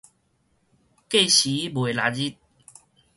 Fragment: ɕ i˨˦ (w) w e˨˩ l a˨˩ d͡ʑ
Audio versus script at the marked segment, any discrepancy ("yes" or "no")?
yes